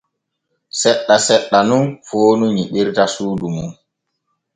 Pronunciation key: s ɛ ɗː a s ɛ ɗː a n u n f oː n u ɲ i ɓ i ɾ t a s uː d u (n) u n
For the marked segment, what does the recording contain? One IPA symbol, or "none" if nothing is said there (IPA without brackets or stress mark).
m